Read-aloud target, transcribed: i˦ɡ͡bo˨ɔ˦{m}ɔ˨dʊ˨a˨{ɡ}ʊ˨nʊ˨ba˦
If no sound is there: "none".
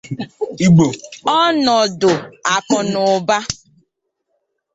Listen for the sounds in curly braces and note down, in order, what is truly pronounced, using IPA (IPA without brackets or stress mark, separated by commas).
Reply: n, k